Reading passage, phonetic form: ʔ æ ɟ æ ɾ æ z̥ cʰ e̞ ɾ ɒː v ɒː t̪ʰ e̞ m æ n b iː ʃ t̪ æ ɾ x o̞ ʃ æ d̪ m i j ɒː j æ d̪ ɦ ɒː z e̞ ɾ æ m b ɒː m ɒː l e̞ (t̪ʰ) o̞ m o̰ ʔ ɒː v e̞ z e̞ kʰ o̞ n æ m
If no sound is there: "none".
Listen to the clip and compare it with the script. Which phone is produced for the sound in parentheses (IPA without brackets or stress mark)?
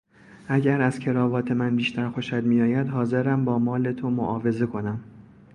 t̪ʰ